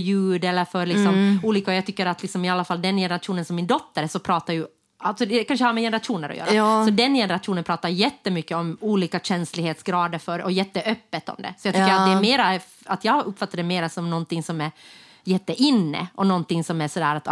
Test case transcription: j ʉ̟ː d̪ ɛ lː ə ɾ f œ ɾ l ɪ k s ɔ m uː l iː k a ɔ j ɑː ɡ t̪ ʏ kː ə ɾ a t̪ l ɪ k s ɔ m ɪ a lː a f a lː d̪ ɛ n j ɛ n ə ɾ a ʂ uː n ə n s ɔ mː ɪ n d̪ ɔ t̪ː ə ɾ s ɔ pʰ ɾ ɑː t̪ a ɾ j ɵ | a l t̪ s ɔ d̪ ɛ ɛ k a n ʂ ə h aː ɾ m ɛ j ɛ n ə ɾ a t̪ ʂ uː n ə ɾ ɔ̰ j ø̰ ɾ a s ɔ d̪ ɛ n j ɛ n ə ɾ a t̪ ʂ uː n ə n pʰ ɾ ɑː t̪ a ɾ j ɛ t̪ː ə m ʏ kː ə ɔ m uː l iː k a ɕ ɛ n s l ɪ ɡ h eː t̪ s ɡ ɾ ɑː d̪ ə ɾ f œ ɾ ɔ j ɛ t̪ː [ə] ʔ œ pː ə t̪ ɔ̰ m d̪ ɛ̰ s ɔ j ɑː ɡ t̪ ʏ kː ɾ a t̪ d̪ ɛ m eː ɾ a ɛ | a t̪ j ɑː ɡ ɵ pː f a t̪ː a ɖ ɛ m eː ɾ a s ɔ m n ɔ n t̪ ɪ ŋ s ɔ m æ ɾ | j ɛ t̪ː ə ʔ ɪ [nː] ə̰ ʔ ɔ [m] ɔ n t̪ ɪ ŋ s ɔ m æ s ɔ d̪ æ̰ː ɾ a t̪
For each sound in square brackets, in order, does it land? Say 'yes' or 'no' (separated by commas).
yes, yes, no